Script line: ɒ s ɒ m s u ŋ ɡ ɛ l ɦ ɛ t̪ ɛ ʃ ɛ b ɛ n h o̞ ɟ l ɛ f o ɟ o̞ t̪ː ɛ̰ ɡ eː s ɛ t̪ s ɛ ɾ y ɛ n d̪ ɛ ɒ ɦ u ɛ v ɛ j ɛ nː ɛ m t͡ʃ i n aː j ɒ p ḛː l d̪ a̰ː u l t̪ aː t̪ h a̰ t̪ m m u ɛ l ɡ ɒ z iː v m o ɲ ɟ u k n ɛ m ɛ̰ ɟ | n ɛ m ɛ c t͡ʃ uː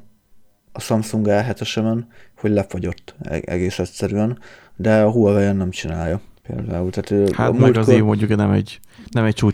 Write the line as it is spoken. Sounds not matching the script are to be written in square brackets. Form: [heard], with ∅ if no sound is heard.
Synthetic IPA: ɒ s ɒ m s u ŋ ɡ ɛ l ɦ ɛ t̪ ɛ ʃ ɛ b ɛ n h o̞ ɟ l ɛ f o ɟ o̞ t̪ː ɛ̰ ɡ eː s ɛ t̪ s ɛ ɾ y ɛ n d̪ ɛ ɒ ɦ u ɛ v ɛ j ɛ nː ɛ m t͡ʃ i n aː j ɒ p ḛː l d̪ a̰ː u l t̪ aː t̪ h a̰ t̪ m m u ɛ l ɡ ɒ z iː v m o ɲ ɟ u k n ɛ m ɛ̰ ɟ | n ɛ m ɛ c t͡ʃ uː